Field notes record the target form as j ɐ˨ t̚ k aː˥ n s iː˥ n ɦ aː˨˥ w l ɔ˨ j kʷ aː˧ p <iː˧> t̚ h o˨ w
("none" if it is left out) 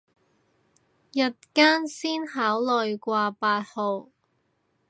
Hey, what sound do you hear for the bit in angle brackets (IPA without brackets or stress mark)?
aː˧